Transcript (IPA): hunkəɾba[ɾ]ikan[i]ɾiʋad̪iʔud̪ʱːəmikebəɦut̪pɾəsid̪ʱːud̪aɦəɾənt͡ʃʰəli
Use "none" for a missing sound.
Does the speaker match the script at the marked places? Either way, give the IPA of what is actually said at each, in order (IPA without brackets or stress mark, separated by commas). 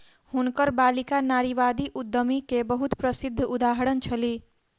l, a